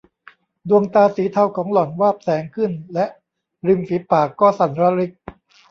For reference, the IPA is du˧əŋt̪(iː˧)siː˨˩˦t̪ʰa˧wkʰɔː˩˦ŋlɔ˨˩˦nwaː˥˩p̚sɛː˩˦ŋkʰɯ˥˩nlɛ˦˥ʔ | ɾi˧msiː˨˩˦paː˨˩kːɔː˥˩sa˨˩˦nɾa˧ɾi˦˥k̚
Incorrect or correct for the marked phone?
incorrect: aː˧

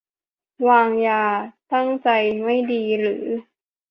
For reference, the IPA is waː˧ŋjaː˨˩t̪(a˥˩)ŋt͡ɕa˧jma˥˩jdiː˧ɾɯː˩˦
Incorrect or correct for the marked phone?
correct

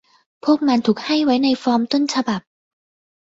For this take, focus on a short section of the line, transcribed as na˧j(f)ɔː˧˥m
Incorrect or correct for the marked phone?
correct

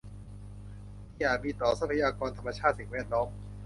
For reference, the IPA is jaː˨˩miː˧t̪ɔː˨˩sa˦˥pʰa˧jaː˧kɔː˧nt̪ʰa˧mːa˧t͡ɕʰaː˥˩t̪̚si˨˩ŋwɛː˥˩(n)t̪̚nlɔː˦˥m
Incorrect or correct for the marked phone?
incorrect: none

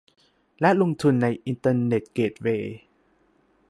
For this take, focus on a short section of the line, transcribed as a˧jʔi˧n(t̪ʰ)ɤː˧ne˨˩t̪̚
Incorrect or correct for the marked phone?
incorrect: t̪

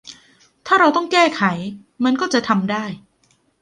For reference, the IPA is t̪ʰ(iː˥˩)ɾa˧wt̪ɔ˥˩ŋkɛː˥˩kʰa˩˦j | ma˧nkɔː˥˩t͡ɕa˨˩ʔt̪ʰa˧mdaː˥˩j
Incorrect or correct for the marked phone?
incorrect: aː˥˩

